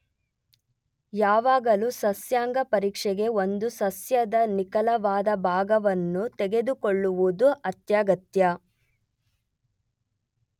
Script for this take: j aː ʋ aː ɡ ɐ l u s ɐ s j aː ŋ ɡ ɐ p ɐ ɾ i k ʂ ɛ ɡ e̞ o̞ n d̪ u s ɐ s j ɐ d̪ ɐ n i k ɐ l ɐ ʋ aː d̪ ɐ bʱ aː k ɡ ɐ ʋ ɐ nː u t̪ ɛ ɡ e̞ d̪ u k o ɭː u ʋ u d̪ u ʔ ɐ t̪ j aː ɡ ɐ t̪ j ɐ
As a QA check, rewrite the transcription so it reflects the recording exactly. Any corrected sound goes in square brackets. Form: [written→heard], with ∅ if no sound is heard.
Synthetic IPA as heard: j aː ʋ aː ɡ ɐ l u s ɐ s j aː ŋ ɡ ɐ p ɐ ɾ [i→iː] k ʂ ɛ ɡ e̞ o̞ n d̪ u s ɐ s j ɐ d̪ ɐ n i k ɐ l ɐ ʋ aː d̪ ɐ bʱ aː [k→∅] ɡ ɐ ʋ ɐ nː u t̪ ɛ ɡ e̞ d̪ u k o ɭː u ʋ u d̪ u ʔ ɐ t̪ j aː ɡ ɐ t̪ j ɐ

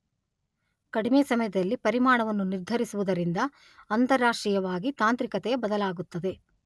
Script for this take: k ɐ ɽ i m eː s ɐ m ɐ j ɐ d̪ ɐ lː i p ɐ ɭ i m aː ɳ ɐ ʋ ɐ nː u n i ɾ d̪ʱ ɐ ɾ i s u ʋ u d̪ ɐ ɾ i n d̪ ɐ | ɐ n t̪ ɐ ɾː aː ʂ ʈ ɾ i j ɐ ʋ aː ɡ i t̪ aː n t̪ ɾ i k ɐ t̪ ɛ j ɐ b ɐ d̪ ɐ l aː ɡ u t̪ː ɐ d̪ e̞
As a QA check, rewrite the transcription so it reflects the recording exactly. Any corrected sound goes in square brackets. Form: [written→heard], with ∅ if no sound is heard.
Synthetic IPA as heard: k ɐ ɽ i m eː s ɐ m ɐ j ɐ d̪ ɐ lː i p ɐ [ɭ→ɾ] i m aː ɳ ɐ ʋ ɐ nː u n i ɾ d̪ʱ ɐ ɾ i s u ʋ u d̪ ɐ ɾ i n d̪ ɐ | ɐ n t̪ ɐ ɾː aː ʂ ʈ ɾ i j ɐ ʋ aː ɡ i t̪ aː n t̪ ɾ i k ɐ t̪ ɛ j ɐ b ɐ d̪ ɐ l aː ɡ u t̪ː ɐ d̪ e̞

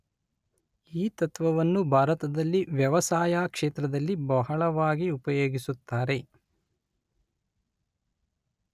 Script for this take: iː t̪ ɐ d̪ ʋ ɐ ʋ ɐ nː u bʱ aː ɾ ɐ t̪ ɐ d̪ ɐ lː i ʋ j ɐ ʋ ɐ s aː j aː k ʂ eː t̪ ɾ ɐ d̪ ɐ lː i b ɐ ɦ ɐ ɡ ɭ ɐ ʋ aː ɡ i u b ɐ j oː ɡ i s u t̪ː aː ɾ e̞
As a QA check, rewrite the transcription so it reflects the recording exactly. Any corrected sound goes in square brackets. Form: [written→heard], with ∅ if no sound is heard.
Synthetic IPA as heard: iː t̪ ɐ [d̪→t̪] ʋ ɐ ʋ ɐ nː u bʱ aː ɾ ɐ t̪ ɐ d̪ ɐ lː i ʋ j ɐ ʋ ɐ s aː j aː k ʂ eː t̪ ɾ ɐ d̪ ɐ lː i b ɐ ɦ ɐ [ɡ→∅] ɭ ɐ ʋ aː ɡ i u [b→p] ɐ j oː ɡ i s u t̪ː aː ɾ e̞

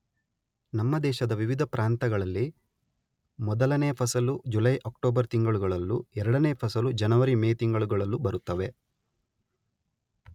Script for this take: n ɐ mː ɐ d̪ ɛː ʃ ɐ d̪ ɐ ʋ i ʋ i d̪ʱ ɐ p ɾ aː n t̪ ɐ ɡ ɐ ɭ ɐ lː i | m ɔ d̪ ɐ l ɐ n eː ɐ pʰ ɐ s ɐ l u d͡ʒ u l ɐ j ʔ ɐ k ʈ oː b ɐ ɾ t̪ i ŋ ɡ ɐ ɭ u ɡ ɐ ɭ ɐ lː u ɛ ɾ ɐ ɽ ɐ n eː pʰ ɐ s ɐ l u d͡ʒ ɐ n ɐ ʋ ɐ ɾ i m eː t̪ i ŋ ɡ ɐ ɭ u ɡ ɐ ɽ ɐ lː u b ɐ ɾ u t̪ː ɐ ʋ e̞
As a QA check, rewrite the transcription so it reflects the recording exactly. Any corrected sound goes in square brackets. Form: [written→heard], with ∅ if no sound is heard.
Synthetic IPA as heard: n ɐ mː ɐ d̪ ɛː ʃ ɐ d̪ ɐ ʋ i ʋ i d̪ʱ ɐ p ɾ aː n t̪ ɐ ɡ ɐ ɭ ɐ lː i | m ɔ d̪ ɐ l ɐ n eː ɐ pʰ ɐ s ɐ l u d͡ʒ u l ɐ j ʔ ɐ k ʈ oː b ɐ ɾ t̪ i ŋ ɡ ɐ ɭ u ɡ ɐ ɭ ɐ lː u ɛ ɾ ɐ ɽ ɐ n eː pʰ ɐ s ɐ l u d͡ʒ ɐ n ɐ ʋ ɐ ɾ i m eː t̪ i ŋ ɡ ɐ ɭ u ɡ ɐ [ɽ→ɭ] ɐ lː u b ɐ ɾ u t̪ː ɐ ʋ e̞

